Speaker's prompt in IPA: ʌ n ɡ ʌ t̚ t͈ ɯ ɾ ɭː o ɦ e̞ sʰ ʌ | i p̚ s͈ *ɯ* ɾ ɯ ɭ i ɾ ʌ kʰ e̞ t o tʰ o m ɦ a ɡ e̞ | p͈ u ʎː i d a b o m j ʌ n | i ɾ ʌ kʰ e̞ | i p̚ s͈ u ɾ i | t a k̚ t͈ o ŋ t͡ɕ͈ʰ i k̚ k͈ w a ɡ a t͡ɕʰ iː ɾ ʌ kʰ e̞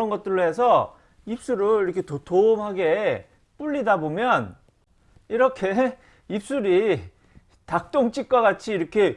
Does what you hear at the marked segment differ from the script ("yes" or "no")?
yes